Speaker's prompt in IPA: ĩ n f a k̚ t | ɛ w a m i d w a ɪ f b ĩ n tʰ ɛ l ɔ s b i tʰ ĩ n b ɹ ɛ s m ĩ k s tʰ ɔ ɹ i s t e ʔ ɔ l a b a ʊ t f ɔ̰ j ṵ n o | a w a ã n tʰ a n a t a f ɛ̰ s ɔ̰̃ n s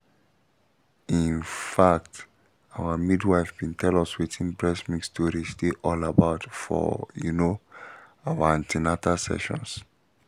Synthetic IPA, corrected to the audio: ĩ n f a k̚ t | a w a m i d w a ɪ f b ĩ n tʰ ɛ l ɔ s w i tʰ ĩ n b ɹ ɛ s m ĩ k s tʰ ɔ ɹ i s t e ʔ ɔ l a b a ʊ t f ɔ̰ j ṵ n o | a w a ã n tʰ i n a t a s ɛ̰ ʃ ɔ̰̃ n s